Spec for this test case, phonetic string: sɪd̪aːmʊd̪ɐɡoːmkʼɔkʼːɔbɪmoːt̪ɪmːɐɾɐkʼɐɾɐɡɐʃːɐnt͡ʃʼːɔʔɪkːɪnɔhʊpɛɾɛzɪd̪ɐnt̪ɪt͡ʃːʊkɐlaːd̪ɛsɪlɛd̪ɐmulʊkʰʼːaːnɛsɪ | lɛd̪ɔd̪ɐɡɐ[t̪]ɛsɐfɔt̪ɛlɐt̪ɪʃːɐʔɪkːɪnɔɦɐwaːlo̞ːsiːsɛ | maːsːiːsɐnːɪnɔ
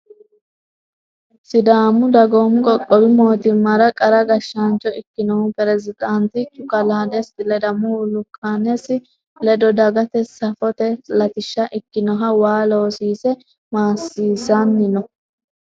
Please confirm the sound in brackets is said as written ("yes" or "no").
yes